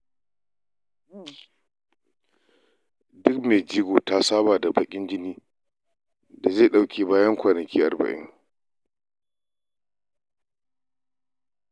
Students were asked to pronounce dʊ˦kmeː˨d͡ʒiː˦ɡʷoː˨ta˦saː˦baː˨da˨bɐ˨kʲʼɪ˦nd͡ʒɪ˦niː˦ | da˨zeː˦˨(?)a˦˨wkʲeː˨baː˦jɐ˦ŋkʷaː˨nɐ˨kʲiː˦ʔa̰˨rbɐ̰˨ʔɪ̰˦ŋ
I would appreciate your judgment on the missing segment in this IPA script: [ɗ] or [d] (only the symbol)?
ɗ